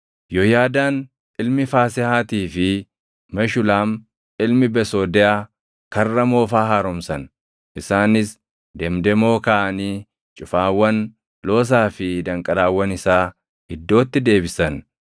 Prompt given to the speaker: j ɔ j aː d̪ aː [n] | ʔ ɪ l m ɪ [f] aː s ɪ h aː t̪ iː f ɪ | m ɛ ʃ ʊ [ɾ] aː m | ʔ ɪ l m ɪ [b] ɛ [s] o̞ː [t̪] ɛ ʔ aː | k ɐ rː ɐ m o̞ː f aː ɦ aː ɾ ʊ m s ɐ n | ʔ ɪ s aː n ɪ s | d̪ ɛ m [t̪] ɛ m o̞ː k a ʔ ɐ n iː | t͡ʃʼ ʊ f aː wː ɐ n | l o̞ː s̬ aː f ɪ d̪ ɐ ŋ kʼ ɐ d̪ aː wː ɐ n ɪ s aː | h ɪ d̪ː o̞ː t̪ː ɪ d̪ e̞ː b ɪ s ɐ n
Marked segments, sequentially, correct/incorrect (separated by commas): correct, correct, incorrect, correct, correct, incorrect, incorrect